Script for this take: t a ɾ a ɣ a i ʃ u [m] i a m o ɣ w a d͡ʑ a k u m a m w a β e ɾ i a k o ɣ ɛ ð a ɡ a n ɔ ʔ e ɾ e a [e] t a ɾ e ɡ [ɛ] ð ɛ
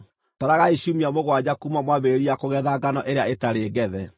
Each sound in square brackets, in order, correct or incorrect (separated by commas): correct, correct, correct